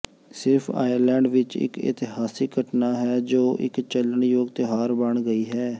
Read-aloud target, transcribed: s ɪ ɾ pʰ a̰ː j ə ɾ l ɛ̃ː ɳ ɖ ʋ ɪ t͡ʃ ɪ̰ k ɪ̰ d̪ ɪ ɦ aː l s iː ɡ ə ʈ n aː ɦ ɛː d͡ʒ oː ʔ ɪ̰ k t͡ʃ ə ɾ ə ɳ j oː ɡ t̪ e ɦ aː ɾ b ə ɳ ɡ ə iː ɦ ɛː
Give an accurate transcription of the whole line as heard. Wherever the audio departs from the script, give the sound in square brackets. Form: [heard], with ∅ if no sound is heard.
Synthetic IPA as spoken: s ɪ ɾ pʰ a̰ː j ə ɾ l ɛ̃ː ɳ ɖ ʋ ɪ t͡ʃ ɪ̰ k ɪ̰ [t̪] ɪ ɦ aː [∅] s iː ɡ ə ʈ n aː ɦ ɛː d͡ʒ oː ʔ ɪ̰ k t͡ʃ ə [l] ə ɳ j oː ɡ t̪ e ɦ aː ɾ b ə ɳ ɡ ə iː ɦ ɛː

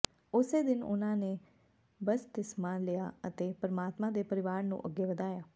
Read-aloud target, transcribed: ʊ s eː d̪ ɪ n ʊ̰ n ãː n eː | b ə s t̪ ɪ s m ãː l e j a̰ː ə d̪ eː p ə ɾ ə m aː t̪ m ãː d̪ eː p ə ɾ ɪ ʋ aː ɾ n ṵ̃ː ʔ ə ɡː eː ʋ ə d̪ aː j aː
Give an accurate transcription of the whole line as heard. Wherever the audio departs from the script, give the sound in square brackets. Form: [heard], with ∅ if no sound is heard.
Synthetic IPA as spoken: ʊ s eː d̪ ɪ n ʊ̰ n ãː n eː | b ə s t̪ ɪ s m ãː l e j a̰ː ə [t̪] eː p ə ɾ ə m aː t̪ m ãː d̪ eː p ə ɾ ɪ ʋ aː ɾ n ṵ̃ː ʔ ə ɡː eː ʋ ə d̪ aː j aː

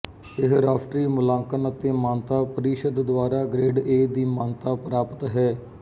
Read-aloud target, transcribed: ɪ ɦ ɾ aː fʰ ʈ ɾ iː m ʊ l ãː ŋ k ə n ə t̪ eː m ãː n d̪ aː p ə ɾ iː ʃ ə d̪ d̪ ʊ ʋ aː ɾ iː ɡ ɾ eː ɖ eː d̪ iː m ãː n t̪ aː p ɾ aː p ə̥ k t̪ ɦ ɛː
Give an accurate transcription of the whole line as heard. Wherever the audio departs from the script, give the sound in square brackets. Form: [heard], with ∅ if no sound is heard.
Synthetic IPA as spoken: ɪ ɦ ɾ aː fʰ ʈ ɾ iː m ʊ l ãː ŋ k ə n ə t̪ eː m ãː n [t̪] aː p ə ɾ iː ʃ ə d̪ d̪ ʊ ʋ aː ɾ [aː] ɡ ɾ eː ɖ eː d̪ iː m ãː n t̪ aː p ɾ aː p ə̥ [∅] t̪ ɦ ɛː

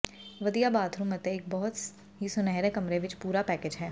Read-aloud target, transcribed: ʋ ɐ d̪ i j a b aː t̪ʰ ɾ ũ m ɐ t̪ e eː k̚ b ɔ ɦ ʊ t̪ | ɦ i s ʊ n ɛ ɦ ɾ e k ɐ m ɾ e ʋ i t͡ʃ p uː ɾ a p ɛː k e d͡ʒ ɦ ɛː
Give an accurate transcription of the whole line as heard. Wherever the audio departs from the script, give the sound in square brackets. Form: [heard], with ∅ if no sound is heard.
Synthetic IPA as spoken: ʋ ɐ d̪ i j a b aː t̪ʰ ɾ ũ m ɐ t̪ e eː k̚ b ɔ ɦ ʊ t̪ | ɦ i s ʊ n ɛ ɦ ɾ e k ɐ m ɾ e ʋ [ɪ] t͡ʃ p uː ɾ a p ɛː k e d͡ʒ ɦ ɛː

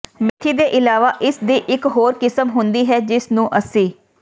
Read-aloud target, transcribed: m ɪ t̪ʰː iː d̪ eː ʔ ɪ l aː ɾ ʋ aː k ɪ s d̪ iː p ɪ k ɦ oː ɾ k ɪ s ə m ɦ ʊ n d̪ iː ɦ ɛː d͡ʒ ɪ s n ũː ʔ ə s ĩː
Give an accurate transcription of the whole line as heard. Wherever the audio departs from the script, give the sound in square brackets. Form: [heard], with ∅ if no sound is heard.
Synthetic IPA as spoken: m ɪ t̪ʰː iː d̪ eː ʔ ɪ l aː [∅] ʋ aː [ʔ] ɪ s d̪ iː [ʔ] ɪ k ɦ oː ɾ k ɪ s ə m ɦ ʊ n d̪ iː ɦ ɛː d͡ʒ ɪ s n ũː ʔ ə s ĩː

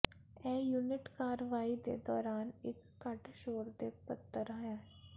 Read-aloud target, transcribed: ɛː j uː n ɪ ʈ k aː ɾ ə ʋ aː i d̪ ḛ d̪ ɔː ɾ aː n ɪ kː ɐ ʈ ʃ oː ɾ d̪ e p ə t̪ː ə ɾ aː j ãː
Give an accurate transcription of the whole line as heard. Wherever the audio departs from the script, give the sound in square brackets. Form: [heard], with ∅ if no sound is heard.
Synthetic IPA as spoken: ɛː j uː n ɪ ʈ k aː ɾ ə ʋ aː i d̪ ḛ d̪ ɔː ɾ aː n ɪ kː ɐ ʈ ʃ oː ɾ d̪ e p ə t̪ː ə ɾ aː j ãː

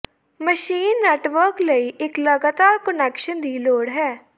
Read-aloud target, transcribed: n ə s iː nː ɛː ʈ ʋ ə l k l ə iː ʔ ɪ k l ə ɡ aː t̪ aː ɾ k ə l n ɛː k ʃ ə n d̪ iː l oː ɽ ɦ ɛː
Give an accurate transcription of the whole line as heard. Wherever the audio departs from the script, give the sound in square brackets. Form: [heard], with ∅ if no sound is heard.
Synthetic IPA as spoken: [m] ə [ʃ] iː nː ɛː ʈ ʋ ə [ɾ] k l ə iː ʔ ɪ k l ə ɡ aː t̪ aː ɾ k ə [∅] n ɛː k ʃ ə n d̪ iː l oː ɽ ɦ ɛː

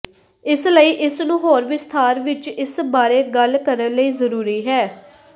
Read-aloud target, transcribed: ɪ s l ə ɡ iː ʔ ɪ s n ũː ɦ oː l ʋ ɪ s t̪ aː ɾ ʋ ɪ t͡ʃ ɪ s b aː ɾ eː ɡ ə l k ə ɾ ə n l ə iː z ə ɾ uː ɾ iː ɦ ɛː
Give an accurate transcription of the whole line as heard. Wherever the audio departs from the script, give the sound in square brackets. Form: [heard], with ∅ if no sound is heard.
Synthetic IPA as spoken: ɪ s l ə [∅] iː ʔ ɪ s n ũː ɦ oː [ɾ] ʋ ɪ s [t̪ʰ] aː ɾ ʋ ɪ t͡ʃ ɪ s b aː ɾ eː ɡ ə l k ə ɾ ə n l ə iː z ə ɾ uː ɾ iː ɦ ɛː

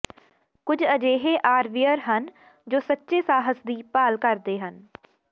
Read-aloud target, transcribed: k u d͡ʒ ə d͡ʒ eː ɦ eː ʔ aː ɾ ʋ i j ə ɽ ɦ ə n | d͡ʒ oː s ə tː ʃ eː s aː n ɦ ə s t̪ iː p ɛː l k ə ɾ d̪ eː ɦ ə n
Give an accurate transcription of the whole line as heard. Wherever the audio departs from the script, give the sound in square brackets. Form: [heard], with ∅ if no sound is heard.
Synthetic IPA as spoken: k [ʊ] d͡ʒ ə d͡ʒ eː ɦ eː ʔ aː ɾ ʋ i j ə [ɾ] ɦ ə n | d͡ʒ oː s ə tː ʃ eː s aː [∅] ɦ ə s [d̪] iː p [aː] l k ə ɾ d̪ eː ɦ ə n

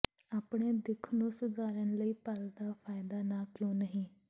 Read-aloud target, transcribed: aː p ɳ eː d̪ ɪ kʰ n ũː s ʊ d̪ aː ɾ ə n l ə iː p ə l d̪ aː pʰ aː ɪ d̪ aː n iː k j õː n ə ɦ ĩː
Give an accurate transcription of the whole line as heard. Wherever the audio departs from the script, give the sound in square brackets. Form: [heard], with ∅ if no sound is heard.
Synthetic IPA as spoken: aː p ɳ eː d̪ ɪ kʰ n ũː s ʊ d̪ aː ɾ ə n l ə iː p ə l d̪ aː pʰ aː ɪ d̪ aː n [aː] k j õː n ə ɦ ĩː

